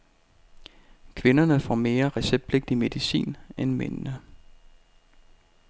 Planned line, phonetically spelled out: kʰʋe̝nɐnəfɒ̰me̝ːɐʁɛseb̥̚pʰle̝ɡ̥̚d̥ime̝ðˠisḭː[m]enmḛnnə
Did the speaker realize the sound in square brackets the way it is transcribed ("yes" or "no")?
no